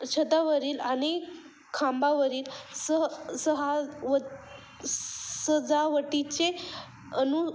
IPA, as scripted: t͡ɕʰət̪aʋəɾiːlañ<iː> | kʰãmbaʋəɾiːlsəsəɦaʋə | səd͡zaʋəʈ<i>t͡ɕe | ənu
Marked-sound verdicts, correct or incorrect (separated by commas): incorrect, correct